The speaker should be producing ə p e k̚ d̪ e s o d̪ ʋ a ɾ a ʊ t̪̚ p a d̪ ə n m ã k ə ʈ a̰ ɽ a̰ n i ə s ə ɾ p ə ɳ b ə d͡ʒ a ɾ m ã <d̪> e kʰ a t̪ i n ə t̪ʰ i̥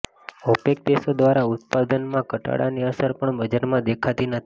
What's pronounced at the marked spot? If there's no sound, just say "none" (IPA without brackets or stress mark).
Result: d̪